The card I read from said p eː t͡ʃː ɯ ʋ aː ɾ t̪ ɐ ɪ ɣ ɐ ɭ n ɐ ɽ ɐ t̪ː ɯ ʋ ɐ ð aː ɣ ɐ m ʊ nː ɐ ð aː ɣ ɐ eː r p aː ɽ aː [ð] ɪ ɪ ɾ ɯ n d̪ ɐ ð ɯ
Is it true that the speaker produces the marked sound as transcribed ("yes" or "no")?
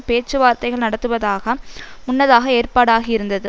no